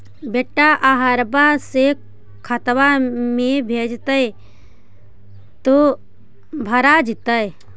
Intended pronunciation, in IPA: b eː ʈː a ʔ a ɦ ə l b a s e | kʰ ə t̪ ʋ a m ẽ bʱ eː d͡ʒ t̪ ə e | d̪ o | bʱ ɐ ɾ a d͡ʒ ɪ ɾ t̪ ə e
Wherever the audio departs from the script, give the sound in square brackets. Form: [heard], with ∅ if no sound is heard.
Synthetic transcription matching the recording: b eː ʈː a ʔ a ɦ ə [ɾ] b a s e | kʰ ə t̪ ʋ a m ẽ bʱ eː d͡ʒ t̪ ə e | [t̪] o | bʱ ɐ ɾ a d͡ʒ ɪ [∅] t̪ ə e